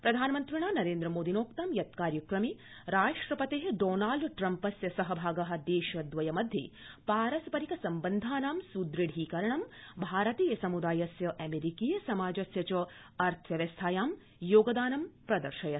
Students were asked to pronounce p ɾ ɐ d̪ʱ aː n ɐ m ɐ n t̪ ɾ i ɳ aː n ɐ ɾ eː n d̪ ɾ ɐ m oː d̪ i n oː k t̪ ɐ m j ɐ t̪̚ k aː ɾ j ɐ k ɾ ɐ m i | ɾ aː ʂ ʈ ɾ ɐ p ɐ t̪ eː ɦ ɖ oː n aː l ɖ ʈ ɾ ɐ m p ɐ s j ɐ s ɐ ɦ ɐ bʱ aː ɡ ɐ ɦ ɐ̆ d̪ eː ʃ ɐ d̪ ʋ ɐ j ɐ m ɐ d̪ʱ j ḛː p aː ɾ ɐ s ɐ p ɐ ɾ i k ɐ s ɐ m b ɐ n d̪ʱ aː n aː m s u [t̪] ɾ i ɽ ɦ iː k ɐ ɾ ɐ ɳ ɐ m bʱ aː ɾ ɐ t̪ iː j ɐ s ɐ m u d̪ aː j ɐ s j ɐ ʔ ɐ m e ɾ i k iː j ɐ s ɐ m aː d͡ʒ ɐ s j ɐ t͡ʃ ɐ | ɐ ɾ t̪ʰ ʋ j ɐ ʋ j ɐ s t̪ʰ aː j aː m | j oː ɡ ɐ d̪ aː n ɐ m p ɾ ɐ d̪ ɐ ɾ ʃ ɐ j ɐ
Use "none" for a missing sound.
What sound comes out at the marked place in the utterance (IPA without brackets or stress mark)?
d̪